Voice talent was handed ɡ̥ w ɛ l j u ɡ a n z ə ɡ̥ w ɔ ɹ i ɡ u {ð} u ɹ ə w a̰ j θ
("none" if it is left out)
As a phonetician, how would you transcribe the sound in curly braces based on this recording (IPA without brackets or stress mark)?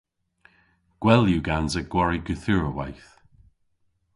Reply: θ